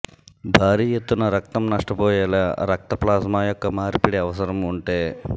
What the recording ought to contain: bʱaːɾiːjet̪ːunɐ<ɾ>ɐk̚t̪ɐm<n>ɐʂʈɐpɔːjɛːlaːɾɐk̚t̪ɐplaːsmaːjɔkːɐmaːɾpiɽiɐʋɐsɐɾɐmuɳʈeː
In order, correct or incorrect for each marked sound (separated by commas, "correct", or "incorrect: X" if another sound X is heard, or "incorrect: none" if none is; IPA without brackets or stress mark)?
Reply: correct, correct